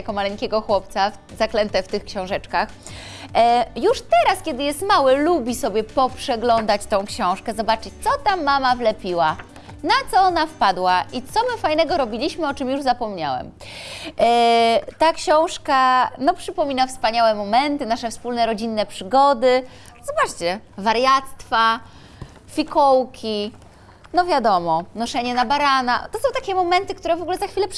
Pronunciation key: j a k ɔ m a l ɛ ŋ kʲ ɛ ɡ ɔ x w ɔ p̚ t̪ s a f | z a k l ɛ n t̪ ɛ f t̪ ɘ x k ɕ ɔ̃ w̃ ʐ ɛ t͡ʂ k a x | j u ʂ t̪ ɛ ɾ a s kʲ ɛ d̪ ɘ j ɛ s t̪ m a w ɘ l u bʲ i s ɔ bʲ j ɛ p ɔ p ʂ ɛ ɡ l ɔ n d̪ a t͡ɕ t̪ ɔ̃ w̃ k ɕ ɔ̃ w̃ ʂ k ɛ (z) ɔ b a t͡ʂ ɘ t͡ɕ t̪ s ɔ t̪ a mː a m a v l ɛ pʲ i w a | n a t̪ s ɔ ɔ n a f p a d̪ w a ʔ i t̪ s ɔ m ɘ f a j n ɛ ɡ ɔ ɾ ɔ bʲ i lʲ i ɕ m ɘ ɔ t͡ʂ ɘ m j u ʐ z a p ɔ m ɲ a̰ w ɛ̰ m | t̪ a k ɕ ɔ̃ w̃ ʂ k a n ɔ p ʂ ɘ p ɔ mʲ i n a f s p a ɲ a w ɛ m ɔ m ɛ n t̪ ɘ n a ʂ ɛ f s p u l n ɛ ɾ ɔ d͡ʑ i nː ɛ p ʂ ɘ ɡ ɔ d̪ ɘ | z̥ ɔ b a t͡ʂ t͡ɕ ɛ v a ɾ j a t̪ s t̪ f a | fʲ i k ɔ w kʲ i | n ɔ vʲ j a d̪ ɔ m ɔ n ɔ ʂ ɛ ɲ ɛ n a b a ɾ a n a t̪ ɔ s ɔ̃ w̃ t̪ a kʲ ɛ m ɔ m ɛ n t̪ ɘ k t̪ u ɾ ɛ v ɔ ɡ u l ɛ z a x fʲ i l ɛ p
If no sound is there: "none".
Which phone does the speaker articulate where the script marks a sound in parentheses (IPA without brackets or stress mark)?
z